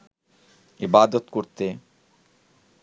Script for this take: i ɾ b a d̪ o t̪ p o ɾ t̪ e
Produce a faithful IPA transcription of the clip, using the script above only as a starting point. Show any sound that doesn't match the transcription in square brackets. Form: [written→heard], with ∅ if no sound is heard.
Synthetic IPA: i [ɾ→∅] b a d̪ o t̪ [p→k] o ɾ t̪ e